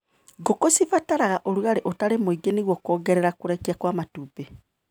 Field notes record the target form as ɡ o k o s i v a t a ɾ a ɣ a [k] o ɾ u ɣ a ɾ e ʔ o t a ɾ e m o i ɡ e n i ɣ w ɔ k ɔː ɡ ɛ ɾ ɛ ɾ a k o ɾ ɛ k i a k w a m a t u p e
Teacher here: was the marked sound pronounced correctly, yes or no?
no